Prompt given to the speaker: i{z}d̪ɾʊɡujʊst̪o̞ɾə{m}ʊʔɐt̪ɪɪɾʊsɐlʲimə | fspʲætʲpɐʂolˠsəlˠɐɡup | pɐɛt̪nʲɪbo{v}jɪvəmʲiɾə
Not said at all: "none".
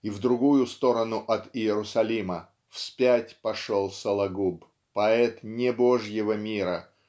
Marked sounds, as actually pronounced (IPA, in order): v, n, ʐ

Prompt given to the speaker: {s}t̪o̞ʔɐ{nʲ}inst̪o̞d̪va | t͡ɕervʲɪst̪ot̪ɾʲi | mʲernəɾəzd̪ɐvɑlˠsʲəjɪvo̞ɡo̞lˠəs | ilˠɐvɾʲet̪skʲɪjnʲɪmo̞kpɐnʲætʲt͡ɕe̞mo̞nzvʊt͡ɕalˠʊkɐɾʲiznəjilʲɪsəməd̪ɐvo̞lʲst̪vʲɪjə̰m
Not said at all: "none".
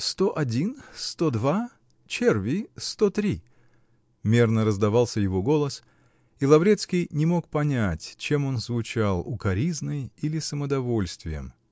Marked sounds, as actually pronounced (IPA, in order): s, dʲ

